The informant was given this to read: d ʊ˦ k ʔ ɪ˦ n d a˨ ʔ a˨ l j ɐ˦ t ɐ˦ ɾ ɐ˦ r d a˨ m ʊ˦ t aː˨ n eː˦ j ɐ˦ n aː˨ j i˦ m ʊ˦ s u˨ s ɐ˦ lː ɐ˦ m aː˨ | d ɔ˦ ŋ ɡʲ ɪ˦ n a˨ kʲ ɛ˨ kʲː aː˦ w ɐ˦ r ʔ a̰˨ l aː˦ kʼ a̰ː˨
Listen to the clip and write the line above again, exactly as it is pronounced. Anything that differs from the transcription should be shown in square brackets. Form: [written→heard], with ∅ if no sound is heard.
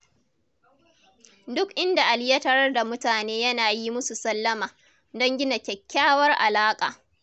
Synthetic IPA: d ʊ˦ k ʔ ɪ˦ n d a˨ ʔ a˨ l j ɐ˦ t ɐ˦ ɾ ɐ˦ r d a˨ m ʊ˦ t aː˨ n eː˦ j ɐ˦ n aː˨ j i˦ m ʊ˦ s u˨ s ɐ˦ lː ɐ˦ m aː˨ | d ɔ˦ ŋ ɡʲ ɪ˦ n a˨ kʲ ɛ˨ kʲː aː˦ w ɐ˦ r ʔ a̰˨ l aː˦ kʼ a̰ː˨